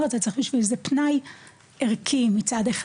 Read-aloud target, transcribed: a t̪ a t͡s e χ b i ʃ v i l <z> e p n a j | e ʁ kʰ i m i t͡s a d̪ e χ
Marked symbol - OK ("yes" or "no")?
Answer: yes